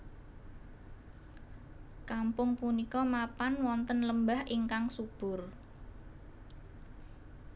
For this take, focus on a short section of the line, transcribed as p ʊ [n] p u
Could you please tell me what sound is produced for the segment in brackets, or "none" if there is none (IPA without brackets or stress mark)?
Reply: ŋ